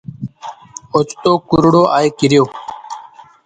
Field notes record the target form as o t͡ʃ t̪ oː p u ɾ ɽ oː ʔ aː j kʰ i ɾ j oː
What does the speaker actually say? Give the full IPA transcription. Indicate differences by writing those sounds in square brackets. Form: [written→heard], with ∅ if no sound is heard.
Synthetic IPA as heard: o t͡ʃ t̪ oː [p→k] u ɾ ɽ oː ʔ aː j [kʰ→k] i ɾ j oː